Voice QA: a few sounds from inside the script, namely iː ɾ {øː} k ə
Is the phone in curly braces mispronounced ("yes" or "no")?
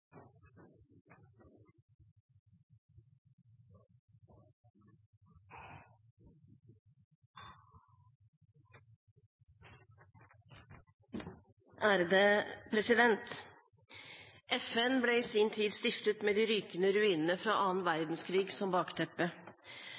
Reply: yes